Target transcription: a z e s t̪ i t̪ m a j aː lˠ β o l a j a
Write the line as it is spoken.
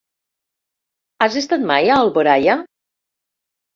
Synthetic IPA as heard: a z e s t̪ a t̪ m a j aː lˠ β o ɾ a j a